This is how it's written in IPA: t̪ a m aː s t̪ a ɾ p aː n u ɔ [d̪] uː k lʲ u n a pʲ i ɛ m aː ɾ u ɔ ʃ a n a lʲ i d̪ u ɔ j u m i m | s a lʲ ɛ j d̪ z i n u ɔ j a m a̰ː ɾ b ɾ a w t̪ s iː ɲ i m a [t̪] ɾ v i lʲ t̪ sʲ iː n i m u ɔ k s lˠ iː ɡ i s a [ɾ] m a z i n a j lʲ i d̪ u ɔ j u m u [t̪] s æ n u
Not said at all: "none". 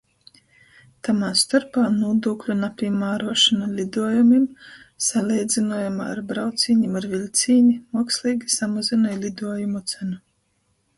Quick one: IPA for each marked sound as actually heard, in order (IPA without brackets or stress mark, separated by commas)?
d̪, none, none, t̪